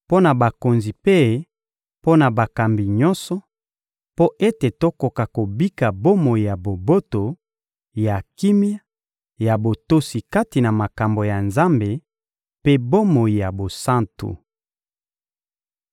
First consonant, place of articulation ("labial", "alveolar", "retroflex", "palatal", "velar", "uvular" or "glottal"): labial